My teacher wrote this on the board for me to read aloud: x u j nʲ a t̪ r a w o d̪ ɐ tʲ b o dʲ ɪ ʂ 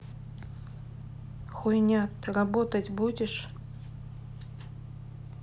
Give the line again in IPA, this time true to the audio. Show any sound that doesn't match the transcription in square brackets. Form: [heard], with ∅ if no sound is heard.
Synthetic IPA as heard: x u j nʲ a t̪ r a [b] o [t̪] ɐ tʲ b [u] dʲ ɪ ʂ